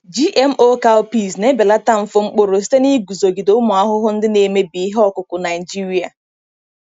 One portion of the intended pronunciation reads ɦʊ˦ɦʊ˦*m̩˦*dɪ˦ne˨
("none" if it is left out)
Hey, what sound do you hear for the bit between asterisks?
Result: n̩˦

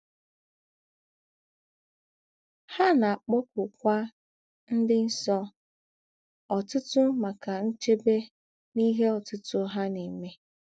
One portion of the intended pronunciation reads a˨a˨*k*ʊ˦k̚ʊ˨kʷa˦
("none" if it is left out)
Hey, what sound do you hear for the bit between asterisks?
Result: k͡p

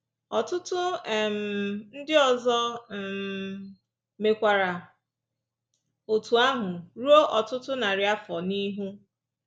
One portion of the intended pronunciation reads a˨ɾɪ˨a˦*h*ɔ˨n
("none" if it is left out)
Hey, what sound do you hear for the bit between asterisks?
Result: f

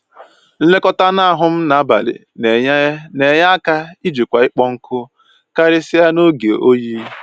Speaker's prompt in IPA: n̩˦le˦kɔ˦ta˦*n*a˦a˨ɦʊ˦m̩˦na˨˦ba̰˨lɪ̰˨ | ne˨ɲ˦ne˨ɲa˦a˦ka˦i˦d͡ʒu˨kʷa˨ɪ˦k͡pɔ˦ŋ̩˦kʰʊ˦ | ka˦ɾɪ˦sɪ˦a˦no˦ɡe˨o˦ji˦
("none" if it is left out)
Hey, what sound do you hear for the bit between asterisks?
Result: n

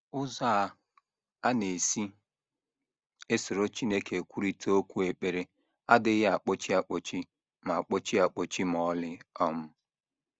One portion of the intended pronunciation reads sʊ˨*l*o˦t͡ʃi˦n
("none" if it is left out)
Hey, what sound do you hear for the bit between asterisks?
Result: ɾ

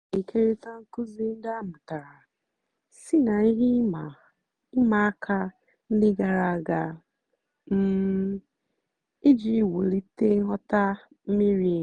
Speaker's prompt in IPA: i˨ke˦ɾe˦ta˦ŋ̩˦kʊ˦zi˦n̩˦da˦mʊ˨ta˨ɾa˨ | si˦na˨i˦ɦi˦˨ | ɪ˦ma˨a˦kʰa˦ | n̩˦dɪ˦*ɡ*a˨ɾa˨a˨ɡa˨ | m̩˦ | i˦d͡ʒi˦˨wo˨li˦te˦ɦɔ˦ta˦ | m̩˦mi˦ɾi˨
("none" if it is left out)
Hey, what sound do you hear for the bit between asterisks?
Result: ɡ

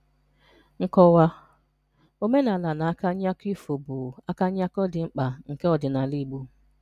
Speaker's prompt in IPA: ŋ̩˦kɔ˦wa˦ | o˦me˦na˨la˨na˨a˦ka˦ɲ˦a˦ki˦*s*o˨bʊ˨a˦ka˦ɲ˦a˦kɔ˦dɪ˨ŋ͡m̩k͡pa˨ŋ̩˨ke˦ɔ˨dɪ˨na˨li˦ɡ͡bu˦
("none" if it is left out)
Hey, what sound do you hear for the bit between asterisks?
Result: f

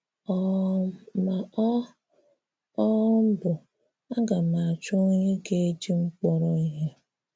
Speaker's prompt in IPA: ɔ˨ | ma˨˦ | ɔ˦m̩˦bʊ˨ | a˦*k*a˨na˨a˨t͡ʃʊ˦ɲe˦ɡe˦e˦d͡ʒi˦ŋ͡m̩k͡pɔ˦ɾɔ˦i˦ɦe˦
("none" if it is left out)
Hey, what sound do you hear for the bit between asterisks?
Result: ɡ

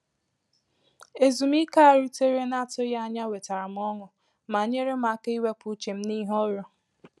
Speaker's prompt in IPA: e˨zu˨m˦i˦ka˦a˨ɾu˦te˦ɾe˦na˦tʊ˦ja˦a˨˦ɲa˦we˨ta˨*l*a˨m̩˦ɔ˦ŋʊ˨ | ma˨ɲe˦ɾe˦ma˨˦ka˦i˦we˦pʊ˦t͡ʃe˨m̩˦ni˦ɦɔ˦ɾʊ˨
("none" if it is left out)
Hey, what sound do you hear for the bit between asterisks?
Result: ɾ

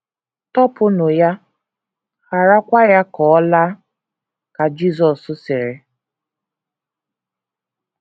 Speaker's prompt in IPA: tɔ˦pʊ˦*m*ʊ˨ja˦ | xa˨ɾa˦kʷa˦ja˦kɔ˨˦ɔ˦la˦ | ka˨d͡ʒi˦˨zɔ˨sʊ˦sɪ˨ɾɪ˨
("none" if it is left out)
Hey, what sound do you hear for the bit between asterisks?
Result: n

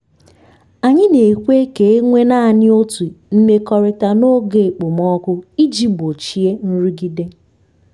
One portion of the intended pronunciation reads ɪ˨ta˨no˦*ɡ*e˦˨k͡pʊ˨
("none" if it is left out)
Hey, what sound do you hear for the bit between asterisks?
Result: ɡ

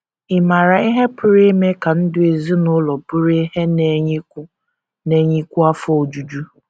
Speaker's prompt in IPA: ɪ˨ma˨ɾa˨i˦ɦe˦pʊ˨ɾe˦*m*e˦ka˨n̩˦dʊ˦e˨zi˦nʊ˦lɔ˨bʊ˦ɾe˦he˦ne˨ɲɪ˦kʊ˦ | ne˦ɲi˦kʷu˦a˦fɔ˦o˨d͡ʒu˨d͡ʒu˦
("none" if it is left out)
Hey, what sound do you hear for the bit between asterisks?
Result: m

